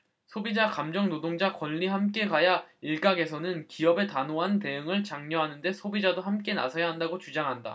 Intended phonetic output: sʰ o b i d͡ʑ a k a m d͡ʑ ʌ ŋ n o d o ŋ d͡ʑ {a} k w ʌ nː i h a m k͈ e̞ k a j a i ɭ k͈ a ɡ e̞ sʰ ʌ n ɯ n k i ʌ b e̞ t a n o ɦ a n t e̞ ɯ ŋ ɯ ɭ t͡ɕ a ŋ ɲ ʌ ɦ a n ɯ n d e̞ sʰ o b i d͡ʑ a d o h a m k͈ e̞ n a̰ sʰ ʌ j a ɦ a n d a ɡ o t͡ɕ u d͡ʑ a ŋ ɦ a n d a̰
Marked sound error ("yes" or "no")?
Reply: no